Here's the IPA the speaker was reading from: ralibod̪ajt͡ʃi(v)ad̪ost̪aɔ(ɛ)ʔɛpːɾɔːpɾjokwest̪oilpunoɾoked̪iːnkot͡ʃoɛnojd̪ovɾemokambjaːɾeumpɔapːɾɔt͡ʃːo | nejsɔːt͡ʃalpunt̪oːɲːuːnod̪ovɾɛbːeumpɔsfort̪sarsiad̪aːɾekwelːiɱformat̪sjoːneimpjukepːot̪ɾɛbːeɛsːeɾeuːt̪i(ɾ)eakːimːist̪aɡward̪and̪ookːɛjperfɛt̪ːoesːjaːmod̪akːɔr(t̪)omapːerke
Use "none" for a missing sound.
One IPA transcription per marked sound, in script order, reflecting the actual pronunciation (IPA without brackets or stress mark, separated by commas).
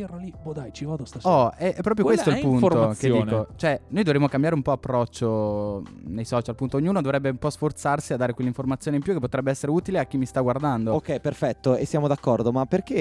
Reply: v, ɛ, l, d̪